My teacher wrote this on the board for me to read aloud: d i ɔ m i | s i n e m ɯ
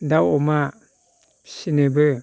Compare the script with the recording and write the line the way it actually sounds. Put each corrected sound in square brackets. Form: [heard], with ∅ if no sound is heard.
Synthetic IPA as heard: d [a] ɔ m [a] | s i n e [b] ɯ